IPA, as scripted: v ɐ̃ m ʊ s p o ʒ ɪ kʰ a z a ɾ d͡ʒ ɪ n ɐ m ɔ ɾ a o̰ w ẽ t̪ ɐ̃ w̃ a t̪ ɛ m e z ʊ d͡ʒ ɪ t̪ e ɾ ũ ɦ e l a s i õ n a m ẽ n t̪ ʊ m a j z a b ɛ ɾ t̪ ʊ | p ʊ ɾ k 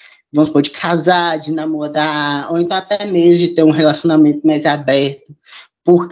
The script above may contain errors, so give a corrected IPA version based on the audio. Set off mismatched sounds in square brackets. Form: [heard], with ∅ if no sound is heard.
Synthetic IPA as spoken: v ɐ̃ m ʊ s p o [d͡ʒ] ɪ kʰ a z a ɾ d͡ʒ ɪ n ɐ m [o] ɾ a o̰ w ẽ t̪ ɐ̃ w̃ a t̪ ɛ m e z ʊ d͡ʒ ɪ t̪ e ɾ ũ ɦ e l a s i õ n a m ẽ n t̪ ʊ m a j z a b ɛ ɾ t̪ ʊ | p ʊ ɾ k